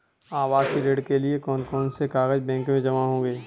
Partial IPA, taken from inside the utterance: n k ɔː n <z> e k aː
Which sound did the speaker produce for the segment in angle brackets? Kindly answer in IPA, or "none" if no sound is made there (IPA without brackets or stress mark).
s